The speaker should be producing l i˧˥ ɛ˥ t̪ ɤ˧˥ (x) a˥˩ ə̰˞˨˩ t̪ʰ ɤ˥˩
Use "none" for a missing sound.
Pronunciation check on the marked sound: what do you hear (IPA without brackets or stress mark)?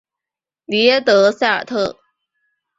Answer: s